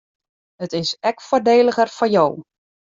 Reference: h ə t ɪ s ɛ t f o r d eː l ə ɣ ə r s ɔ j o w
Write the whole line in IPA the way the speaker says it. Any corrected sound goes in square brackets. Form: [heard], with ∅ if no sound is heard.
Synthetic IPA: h ə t ɪ s ɛ [k] f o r d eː l ə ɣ ə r [f] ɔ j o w